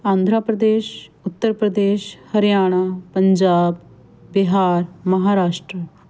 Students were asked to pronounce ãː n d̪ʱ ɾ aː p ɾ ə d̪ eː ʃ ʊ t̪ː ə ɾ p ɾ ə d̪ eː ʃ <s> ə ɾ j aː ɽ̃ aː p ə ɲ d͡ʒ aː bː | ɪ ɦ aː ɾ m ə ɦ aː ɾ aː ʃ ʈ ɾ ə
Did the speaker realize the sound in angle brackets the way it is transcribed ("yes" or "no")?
no